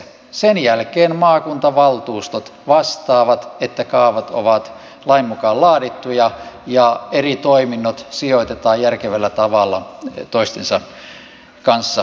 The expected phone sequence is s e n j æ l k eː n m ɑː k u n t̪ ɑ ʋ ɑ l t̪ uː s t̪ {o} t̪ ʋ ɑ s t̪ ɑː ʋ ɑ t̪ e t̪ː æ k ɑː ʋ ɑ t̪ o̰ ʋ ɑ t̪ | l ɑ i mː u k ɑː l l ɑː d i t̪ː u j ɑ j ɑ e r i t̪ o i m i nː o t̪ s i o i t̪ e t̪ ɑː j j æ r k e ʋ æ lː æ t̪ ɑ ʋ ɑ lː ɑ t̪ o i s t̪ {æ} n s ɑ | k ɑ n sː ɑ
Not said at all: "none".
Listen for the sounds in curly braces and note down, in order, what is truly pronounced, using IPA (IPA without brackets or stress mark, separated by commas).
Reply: o, e